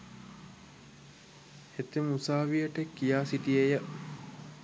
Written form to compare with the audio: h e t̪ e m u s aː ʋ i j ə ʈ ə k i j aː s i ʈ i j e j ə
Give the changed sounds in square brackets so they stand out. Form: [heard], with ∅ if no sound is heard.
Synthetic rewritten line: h e t̪ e m u s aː ʋ i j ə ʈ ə k i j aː s i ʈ i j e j ə